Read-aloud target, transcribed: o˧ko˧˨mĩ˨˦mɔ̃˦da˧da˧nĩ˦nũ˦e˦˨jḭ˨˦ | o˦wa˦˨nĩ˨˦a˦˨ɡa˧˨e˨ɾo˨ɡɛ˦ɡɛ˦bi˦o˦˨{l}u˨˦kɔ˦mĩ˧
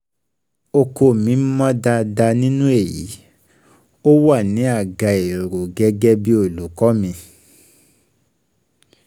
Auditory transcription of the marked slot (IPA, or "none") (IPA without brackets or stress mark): l